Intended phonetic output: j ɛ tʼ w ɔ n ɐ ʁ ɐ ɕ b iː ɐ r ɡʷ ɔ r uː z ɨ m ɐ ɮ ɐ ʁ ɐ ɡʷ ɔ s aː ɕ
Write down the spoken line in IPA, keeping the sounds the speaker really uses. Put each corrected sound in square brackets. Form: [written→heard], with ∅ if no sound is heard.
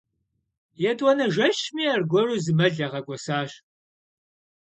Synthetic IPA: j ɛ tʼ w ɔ n ɐ [ʁ→ʒ] ɐ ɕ [b→m] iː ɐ r ɡʷ ɔ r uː z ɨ m ɐ ɮ ɐ ʁ ɐ ɡʷ ɔ s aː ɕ